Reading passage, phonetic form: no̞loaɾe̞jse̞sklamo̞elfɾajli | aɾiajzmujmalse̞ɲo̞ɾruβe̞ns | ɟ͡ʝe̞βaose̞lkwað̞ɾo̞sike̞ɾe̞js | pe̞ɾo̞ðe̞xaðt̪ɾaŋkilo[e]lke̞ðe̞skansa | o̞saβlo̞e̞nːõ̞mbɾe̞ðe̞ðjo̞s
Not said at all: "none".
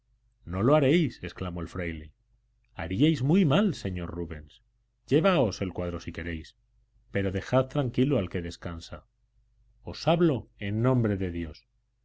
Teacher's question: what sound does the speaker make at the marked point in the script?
a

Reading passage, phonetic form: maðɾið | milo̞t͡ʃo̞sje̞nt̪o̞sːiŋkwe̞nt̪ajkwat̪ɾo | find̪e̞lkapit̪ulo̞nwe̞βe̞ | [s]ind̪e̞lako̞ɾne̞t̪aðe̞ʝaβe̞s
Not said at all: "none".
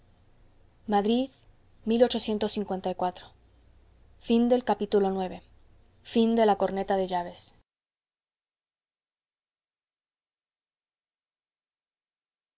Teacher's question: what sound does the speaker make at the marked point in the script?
f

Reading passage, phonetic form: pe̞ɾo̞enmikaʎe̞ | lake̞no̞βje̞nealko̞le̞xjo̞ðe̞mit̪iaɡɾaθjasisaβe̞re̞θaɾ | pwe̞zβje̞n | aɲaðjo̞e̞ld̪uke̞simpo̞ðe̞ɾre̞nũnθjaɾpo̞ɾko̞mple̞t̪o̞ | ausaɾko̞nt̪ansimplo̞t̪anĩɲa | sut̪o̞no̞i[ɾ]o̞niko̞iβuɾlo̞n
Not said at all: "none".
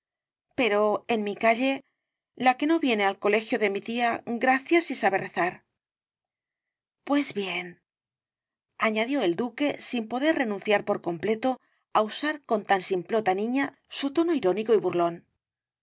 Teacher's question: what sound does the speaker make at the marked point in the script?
ɾ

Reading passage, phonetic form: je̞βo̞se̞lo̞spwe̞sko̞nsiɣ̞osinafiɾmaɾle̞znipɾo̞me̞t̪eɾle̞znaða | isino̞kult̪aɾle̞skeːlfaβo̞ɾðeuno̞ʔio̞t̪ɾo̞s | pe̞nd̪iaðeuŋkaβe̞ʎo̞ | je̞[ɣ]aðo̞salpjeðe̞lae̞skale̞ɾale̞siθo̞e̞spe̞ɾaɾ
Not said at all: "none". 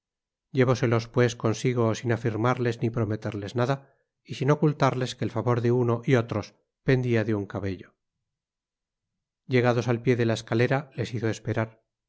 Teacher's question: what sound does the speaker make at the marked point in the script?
ɣ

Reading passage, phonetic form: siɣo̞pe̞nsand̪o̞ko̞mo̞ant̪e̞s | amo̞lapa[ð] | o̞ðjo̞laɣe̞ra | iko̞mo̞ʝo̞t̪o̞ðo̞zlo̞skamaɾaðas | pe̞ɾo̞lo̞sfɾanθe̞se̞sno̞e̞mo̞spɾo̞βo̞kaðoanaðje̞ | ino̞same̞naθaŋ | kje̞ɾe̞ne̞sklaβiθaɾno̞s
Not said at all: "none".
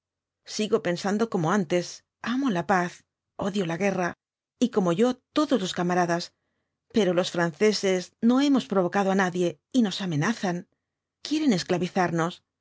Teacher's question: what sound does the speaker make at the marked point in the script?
θ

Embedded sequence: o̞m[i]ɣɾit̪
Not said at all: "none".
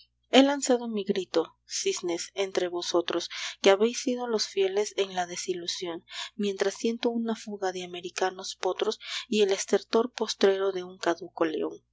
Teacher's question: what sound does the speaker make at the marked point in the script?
i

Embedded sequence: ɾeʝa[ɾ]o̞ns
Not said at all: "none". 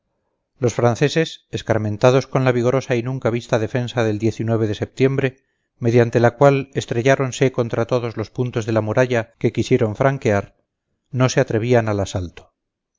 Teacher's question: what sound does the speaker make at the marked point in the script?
ɾ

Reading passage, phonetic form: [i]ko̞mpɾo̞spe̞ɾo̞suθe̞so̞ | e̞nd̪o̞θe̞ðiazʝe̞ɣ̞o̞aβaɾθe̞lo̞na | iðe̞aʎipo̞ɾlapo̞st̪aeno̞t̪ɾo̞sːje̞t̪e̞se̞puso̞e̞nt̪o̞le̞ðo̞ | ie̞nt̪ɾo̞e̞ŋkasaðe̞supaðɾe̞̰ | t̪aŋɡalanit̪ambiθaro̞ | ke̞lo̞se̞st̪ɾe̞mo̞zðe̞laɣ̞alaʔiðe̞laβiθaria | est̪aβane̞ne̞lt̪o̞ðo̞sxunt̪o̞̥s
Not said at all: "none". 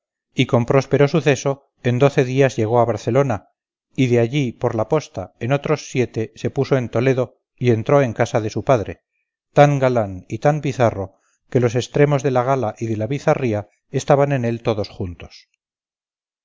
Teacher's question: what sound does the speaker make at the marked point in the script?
i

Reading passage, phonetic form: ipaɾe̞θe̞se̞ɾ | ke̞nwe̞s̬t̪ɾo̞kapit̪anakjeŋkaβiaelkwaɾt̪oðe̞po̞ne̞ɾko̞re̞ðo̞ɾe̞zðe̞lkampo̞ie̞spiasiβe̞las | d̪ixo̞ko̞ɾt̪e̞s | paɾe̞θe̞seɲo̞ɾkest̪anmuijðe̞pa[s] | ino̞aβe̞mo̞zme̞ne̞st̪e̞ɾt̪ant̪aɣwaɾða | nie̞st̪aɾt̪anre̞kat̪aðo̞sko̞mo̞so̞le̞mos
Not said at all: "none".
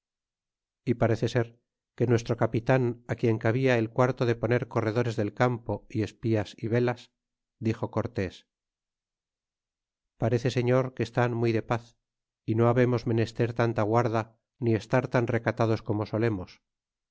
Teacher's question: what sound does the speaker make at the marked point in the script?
θ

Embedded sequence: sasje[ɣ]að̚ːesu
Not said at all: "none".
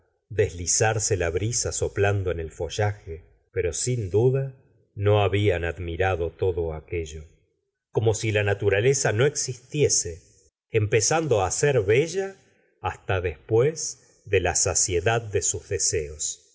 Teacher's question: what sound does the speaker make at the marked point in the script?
ð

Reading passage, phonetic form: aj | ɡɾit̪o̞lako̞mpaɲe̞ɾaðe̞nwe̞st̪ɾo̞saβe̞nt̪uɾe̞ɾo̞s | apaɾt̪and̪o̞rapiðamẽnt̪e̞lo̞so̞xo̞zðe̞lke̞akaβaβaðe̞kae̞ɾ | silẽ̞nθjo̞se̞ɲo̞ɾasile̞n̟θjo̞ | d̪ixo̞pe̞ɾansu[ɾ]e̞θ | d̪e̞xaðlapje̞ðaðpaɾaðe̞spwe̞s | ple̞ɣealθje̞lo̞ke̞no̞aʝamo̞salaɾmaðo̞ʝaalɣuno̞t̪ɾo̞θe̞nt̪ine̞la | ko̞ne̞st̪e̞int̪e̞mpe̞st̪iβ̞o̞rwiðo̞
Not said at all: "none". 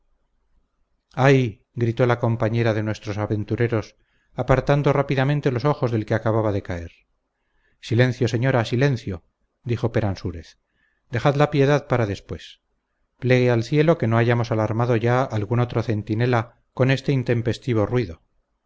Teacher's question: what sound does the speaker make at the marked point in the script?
ɾ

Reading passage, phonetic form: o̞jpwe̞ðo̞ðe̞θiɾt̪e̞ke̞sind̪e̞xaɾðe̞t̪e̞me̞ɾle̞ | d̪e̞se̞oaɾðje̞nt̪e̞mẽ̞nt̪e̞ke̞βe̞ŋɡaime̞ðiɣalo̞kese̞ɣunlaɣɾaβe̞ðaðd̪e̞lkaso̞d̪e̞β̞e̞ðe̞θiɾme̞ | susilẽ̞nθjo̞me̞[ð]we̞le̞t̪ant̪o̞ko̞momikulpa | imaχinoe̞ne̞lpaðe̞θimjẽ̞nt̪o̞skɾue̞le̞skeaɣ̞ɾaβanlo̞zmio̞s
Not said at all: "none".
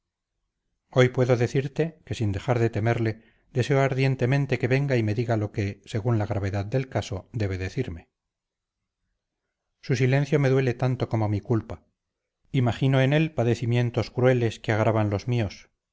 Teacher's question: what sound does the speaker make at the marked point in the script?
ð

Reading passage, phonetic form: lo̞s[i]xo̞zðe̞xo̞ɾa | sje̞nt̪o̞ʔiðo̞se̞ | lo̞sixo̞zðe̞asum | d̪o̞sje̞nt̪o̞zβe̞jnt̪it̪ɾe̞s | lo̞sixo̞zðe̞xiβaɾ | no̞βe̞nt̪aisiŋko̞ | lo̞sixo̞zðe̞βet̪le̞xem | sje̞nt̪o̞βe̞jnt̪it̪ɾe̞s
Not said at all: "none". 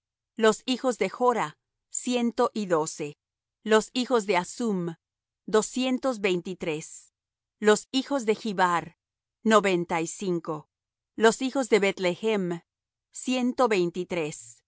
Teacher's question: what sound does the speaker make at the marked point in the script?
i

